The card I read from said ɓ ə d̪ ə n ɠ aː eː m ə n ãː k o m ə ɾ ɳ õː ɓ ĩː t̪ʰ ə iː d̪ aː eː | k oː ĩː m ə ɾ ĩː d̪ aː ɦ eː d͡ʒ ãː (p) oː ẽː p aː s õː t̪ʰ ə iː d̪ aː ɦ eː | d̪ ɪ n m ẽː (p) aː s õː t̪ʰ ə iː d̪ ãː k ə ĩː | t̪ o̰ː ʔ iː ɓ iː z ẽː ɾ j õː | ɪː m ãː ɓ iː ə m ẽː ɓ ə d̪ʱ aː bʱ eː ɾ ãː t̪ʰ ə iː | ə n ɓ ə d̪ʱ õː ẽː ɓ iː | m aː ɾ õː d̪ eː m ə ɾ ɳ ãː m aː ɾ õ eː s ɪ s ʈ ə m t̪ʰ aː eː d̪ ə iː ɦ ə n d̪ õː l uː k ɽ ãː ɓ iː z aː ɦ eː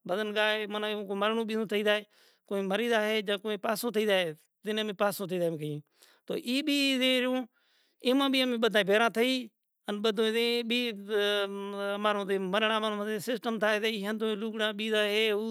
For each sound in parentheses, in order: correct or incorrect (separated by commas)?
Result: incorrect, correct